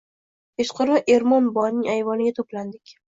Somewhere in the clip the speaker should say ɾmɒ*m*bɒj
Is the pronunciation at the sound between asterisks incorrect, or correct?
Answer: incorrect